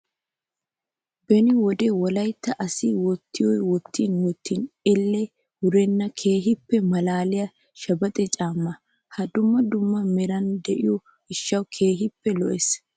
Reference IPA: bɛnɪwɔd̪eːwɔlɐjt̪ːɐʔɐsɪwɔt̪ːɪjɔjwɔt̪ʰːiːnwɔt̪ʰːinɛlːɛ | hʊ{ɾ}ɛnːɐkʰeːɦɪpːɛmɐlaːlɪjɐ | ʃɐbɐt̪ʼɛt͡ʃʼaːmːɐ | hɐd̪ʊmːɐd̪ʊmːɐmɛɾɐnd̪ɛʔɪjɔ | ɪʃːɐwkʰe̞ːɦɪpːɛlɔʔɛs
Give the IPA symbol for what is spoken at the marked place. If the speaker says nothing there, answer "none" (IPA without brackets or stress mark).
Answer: ɾ